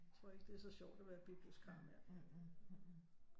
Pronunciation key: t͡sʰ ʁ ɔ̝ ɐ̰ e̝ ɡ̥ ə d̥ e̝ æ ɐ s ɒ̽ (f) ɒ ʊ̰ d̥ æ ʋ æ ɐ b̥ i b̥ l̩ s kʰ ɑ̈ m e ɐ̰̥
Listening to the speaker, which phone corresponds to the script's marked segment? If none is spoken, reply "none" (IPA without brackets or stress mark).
ɕ